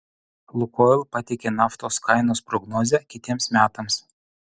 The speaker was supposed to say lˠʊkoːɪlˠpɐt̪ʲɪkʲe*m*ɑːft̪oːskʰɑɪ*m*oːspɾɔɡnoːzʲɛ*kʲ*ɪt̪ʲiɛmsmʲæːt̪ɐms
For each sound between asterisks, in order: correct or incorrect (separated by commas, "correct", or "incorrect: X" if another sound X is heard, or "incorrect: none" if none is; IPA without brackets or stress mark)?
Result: incorrect: n, incorrect: n, correct